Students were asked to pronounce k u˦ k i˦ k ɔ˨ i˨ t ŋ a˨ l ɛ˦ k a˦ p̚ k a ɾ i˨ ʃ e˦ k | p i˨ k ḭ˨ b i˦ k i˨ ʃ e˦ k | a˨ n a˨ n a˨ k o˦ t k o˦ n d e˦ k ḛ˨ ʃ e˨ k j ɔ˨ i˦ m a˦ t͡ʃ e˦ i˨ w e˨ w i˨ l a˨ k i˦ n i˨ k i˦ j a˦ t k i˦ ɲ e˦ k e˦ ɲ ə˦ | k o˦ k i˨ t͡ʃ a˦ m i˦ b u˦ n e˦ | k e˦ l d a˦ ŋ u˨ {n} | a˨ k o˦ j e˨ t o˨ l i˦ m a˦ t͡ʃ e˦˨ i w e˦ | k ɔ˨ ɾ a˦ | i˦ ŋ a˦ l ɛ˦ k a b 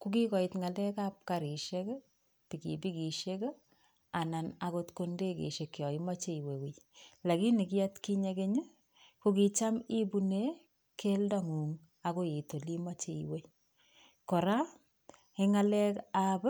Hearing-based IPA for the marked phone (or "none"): ŋ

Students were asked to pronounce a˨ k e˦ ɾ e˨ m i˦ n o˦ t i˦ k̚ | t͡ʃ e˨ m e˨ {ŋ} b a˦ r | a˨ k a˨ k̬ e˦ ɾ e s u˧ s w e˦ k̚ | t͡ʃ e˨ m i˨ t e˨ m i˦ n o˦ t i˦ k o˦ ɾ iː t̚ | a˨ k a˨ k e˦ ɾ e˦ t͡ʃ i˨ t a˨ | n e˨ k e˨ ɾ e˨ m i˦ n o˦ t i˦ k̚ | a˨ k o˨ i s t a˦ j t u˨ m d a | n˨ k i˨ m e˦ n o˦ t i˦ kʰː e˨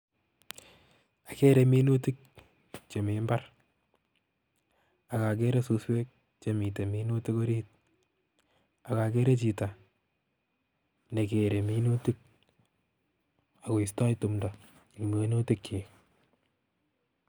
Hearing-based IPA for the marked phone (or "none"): m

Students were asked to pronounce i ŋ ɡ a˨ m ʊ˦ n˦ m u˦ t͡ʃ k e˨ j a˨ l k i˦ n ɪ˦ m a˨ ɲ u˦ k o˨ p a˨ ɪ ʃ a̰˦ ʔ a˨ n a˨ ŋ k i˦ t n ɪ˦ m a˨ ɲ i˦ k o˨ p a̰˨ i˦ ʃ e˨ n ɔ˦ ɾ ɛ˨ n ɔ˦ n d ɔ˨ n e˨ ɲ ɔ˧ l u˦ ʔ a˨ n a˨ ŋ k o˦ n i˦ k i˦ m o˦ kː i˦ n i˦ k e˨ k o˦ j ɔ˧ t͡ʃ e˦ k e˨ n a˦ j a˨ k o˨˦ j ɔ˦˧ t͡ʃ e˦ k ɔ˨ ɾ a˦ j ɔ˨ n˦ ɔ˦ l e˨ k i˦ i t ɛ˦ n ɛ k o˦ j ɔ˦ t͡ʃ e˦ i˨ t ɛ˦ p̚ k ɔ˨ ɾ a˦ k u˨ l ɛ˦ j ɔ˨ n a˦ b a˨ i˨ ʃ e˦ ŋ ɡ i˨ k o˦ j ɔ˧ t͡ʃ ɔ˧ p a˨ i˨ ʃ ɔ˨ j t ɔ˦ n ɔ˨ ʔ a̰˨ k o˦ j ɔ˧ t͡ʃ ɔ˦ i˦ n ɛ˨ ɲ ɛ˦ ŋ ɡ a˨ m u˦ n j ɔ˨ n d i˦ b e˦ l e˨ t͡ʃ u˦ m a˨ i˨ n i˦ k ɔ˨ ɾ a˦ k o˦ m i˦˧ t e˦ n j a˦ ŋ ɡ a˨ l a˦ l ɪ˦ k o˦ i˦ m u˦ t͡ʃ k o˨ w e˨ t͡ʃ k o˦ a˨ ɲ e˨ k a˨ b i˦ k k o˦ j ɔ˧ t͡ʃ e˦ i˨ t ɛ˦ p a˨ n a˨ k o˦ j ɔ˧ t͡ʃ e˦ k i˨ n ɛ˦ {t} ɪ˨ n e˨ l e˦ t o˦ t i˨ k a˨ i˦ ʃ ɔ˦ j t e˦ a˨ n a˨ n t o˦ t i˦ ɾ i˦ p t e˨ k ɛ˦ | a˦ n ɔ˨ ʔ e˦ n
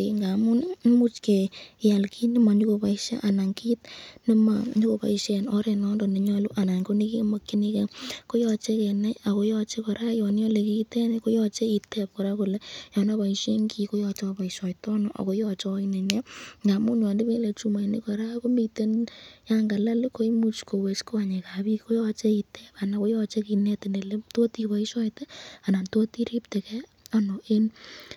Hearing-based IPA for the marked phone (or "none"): t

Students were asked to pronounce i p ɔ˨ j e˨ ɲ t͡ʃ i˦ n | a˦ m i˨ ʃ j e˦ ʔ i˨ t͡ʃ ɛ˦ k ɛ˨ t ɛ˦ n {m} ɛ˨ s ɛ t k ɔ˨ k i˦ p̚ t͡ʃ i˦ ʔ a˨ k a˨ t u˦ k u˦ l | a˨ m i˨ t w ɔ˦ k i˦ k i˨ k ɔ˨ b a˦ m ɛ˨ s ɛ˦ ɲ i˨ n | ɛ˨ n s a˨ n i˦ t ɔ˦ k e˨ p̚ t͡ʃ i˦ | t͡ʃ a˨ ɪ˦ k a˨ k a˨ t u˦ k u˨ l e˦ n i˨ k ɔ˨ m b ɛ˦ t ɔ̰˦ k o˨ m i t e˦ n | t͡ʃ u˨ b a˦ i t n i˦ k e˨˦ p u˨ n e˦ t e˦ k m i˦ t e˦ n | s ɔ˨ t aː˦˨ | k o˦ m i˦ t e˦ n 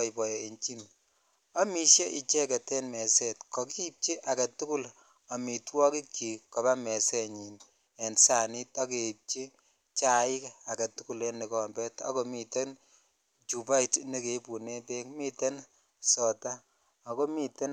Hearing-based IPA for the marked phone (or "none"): m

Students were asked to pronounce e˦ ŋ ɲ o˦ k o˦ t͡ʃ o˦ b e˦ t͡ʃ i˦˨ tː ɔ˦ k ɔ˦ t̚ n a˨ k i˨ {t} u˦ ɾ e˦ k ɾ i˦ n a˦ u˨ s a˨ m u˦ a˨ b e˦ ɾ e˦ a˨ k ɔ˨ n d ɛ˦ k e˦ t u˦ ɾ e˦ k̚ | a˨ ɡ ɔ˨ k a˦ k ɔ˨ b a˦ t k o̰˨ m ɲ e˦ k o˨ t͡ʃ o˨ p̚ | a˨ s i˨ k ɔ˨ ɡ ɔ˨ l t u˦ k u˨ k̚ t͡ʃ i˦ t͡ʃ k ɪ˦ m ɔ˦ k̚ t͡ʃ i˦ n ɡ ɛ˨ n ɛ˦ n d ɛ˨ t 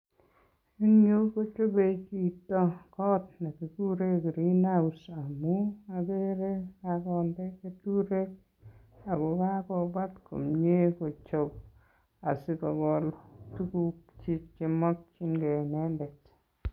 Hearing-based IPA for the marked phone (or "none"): k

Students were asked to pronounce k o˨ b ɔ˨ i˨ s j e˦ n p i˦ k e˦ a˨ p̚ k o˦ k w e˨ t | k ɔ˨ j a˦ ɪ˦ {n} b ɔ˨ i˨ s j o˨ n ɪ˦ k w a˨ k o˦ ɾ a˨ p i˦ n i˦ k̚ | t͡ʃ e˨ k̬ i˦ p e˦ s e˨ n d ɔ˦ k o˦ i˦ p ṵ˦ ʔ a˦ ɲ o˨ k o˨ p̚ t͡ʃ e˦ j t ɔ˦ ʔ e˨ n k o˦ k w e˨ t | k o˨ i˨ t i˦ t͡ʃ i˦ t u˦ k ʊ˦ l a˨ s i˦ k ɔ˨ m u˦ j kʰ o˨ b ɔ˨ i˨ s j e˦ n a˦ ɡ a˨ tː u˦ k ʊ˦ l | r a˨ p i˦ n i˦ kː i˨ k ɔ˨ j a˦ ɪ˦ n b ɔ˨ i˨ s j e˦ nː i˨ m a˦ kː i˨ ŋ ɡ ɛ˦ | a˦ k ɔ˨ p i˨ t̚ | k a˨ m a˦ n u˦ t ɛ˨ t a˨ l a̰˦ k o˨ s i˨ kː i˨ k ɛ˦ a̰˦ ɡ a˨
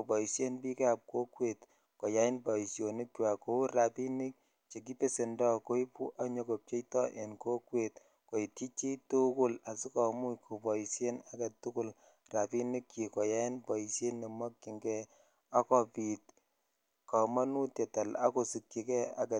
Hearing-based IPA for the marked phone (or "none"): n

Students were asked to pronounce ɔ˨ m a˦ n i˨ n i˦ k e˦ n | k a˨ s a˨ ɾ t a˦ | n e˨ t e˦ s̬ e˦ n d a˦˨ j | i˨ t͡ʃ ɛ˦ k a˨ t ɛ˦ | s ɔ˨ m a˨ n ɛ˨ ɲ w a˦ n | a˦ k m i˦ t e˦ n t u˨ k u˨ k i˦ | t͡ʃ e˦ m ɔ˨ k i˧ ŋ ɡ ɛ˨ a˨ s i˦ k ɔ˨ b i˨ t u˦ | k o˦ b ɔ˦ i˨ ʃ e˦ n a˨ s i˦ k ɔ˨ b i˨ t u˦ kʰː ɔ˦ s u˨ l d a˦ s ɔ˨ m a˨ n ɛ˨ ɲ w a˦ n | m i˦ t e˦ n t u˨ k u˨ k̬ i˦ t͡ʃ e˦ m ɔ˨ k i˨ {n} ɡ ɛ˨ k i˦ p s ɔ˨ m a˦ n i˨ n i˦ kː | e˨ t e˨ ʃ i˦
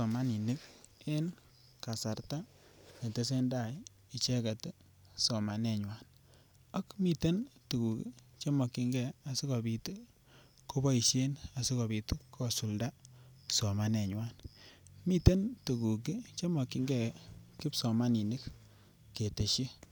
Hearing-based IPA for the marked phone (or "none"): ŋ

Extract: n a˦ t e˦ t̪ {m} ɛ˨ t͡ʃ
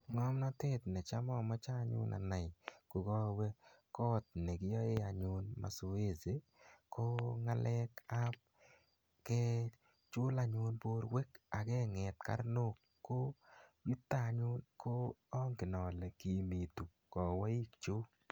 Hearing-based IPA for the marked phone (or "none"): n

